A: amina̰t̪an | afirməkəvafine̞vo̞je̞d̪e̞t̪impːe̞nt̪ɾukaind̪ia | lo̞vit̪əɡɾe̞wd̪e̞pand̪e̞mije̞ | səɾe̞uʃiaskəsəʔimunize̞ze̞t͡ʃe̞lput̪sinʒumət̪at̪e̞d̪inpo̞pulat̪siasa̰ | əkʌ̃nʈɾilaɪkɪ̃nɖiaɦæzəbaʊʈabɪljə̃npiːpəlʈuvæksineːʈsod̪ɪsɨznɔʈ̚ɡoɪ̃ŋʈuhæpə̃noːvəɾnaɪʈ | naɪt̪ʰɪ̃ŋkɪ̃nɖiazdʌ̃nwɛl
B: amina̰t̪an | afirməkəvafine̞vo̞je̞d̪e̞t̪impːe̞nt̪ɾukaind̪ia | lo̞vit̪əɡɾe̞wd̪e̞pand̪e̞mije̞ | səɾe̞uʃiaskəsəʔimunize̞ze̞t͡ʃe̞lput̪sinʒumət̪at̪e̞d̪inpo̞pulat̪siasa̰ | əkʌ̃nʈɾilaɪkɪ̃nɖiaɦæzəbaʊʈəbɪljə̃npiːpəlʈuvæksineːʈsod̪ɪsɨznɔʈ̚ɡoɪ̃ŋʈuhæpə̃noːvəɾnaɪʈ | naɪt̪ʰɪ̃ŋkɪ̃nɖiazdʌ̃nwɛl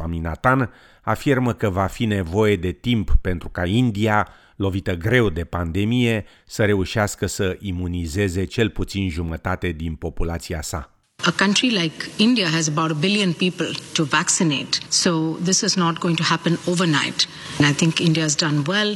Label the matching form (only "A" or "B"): B